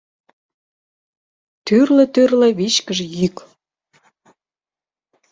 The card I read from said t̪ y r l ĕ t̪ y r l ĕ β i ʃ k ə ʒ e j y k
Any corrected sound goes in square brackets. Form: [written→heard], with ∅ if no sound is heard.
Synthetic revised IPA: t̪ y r l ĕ t̪ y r l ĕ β i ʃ k ə ʒ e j y k